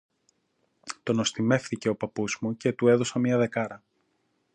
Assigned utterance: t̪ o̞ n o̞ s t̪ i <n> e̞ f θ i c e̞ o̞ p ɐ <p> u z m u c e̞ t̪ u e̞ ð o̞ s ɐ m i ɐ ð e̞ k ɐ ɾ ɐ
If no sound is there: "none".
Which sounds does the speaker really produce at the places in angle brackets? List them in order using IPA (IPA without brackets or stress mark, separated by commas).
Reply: m, p